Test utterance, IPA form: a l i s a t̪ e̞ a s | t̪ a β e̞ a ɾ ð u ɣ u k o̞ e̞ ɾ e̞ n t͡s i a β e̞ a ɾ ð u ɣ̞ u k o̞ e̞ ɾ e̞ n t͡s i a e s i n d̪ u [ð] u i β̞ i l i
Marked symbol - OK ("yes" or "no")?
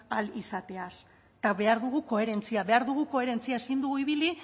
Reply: no